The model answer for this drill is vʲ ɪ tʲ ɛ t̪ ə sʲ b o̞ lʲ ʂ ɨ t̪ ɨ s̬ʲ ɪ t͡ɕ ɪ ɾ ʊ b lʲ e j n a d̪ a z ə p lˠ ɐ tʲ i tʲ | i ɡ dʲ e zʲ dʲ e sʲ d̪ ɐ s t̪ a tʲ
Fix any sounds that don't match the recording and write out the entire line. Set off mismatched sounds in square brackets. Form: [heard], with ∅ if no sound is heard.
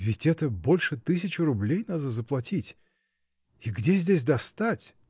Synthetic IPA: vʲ ɪ tʲ ɛ t̪ ə [∅] b o̞ lʲ ʂ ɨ t̪ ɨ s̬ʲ ɪ t͡ɕ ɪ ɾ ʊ b lʲ e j n a d̪ [ə] z ə p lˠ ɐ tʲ i tʲ | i ɡ dʲ e zʲ dʲ e sʲ d̪ ɐ s t̪ a tʲ